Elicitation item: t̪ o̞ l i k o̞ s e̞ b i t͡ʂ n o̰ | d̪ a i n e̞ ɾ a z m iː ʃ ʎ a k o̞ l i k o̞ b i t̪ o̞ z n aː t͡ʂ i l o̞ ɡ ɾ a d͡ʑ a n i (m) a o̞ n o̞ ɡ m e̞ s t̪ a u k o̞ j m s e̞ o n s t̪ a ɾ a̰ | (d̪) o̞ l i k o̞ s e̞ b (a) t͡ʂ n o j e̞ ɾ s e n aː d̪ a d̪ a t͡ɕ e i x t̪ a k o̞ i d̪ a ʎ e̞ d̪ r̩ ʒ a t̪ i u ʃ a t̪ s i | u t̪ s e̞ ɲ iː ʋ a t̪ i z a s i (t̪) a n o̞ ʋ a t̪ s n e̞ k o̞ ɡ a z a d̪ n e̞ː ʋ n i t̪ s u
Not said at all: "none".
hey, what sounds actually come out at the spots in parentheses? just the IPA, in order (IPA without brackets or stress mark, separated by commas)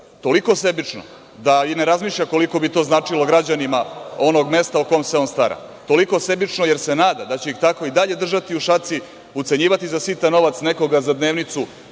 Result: m, t̪, i, t̪